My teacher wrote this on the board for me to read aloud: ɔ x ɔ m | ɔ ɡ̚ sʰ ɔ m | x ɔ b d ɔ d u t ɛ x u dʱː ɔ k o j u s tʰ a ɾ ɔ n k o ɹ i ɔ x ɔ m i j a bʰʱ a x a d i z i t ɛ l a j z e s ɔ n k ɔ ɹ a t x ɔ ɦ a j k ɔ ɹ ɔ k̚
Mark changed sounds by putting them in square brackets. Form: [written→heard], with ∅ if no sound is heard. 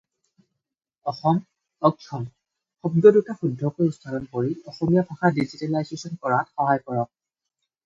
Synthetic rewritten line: ɔ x ɔ m | ɔ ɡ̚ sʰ ɔ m | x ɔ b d ɔ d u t [ɛ→a] x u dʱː ɔ k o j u s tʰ a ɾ ɔ n k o ɹ i ɔ x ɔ m i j a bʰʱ a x a d i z i t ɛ l a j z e s ɔ n k ɔ ɹ a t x ɔ ɦ a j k ɔ ɹ ɔ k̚